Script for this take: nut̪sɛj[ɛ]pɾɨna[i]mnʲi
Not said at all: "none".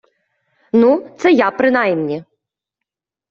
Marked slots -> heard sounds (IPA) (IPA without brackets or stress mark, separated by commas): a, j